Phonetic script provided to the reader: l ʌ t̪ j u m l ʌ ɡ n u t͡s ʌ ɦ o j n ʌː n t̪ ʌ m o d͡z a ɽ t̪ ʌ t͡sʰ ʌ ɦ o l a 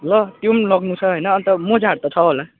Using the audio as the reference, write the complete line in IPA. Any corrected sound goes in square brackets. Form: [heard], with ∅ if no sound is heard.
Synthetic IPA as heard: l ʌ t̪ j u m l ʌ ɡ n u [t͡sʰ] ʌ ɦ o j n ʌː n t̪ ʌ m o d͡z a ɽ t̪ ʌ t͡sʰ ʌ ɦ o l a